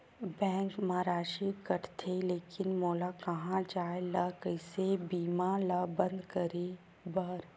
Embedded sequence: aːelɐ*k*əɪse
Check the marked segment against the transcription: correct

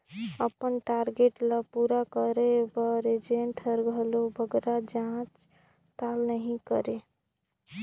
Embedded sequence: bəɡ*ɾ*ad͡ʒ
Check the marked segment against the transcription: correct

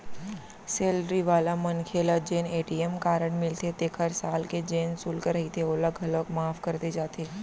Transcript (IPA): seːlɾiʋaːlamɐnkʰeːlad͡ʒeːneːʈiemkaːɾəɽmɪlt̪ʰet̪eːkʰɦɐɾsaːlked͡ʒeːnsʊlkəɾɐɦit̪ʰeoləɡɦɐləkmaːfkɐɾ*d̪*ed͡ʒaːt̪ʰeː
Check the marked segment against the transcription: incorrect: t̪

